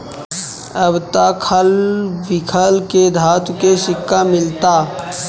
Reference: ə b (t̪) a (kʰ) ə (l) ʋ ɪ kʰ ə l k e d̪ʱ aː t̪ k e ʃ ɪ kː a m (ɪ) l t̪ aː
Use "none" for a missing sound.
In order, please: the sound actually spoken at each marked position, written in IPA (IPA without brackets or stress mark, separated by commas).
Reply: t̪, kʰ, l, ɪ